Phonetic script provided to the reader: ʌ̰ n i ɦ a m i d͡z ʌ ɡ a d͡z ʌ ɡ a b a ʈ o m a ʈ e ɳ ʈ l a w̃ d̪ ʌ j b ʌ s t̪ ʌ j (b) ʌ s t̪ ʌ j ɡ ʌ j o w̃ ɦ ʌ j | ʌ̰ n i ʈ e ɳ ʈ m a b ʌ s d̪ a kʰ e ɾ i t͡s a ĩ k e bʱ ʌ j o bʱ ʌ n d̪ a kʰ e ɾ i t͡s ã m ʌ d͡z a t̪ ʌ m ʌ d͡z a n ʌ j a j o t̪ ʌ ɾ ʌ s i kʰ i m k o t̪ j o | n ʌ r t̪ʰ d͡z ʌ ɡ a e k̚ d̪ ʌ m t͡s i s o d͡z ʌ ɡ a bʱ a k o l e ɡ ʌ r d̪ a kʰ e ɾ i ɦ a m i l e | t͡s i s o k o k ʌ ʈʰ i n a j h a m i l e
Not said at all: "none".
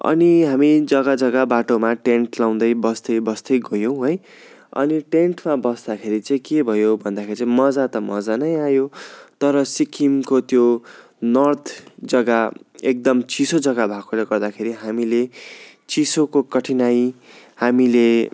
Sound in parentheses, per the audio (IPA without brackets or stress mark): b